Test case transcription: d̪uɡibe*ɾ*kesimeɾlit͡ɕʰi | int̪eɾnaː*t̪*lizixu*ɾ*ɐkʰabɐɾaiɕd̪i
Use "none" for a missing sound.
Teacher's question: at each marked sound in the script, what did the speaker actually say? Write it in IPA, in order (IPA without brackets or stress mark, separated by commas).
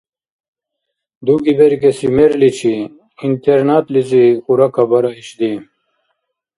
ɾ, t̪, ɾ